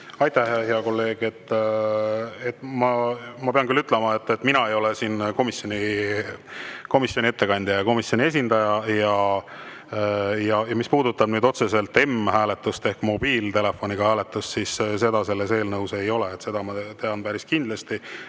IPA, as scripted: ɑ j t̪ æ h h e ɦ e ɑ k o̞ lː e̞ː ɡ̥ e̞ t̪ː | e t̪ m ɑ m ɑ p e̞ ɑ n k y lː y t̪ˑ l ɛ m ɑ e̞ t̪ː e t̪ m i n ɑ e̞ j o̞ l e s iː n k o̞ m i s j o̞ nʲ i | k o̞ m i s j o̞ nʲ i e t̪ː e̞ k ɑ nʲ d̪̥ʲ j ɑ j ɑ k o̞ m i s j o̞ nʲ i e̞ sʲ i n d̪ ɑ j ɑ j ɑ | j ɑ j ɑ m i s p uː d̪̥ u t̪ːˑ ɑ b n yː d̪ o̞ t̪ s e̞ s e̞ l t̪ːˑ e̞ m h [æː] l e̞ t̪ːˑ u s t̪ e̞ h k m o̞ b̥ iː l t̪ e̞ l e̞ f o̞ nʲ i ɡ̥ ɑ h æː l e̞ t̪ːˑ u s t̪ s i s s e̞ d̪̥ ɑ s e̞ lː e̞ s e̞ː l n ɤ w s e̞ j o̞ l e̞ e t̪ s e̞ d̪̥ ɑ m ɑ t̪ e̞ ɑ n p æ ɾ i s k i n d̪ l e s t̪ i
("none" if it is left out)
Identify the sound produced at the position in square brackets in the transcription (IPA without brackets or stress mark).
æː